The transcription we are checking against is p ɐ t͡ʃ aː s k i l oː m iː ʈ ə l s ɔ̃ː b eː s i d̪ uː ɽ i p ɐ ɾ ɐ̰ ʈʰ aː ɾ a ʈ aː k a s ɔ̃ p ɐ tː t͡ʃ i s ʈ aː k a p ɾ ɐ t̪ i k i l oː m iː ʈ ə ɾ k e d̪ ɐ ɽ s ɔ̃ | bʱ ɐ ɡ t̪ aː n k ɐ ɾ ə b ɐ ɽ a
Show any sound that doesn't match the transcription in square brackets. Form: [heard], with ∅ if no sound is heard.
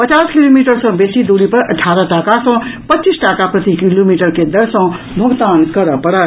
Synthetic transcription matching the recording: p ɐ t͡ʃ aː s k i l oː m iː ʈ ə [ɾ] s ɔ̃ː b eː s i d̪ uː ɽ i p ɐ ɾ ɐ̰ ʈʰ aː ɾ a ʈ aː k a s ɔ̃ p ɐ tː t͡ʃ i s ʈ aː k a p ɾ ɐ t̪ i k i l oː m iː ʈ ə ɾ k e d̪ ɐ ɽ s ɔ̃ | bʱ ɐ ɡ t̪ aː n k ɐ ɾ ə [p] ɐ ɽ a